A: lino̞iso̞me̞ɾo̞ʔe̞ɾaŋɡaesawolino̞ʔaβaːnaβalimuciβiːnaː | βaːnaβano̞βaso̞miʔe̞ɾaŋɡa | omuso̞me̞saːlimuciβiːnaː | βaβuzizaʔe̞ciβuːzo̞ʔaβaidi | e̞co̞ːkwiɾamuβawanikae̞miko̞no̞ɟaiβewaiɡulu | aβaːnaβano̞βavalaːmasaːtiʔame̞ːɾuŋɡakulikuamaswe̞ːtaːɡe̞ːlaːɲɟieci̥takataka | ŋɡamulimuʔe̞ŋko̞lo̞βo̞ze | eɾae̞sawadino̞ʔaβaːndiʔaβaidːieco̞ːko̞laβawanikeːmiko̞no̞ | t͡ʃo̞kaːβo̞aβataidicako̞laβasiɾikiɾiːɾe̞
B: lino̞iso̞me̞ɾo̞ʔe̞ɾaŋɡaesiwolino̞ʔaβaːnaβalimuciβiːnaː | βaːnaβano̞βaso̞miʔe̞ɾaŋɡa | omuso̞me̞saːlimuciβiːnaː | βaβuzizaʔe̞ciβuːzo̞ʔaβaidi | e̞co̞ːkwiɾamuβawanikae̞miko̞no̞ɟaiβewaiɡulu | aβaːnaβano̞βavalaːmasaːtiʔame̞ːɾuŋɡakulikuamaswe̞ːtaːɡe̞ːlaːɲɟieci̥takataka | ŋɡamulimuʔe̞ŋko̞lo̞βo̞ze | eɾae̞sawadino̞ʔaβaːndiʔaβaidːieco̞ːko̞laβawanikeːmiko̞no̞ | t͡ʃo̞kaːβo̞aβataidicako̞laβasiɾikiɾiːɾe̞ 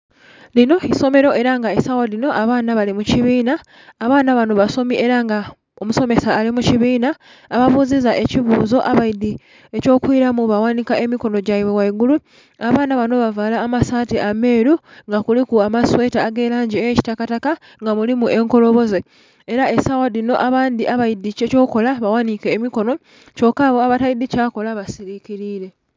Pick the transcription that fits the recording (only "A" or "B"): A